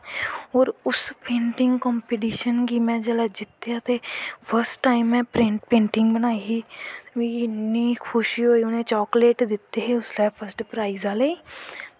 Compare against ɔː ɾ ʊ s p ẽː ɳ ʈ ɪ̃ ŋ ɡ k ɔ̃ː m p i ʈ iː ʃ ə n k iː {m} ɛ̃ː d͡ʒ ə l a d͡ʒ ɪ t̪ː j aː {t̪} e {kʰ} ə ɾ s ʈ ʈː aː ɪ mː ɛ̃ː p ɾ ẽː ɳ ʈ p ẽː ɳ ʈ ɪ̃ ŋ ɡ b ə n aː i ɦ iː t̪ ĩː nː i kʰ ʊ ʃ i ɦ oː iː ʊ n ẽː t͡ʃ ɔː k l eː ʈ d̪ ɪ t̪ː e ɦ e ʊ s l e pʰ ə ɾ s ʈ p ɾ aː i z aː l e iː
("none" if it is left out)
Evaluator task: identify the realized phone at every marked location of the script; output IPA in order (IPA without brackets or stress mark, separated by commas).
m, t̪, pʰ